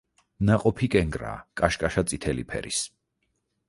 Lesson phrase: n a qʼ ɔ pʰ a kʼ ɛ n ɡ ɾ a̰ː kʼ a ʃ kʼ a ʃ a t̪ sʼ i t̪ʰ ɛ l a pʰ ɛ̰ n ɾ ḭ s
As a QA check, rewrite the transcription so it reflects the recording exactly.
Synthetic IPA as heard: n a qʼ ɔ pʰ i kʼ ɛ ŋ ɡ ɾ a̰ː kʼ a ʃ kʼ a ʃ a t̪ sʼ i t̪ʰ ɛ l i pʰ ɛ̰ ɾ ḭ s